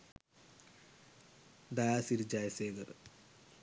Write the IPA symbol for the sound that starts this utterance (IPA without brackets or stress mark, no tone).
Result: d̪